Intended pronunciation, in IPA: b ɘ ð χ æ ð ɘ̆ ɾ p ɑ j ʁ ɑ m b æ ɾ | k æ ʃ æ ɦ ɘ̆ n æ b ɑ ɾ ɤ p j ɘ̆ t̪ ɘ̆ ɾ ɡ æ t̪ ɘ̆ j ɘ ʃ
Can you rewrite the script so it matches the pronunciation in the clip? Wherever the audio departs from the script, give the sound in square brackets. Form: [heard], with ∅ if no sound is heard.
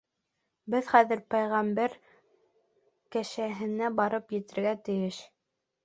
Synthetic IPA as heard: b ɘ ð χ æ ð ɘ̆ ɾ p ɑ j ʁ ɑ m b æ ɾ | k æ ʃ æ ɦ ɘ̆ n æ b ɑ ɾ ɤ p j ɘ̆ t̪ ɘ̆ ɾ ɡ æ t̪ ɘ̆ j ɘ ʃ